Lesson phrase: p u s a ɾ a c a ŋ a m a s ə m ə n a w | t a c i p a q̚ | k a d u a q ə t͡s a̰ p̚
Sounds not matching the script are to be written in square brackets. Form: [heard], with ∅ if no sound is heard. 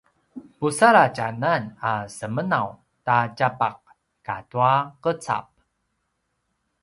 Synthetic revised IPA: p u s a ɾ a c a [n] a [n] a s ə m ə n a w | t a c [a] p a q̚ | k a [t] u a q ə t͡s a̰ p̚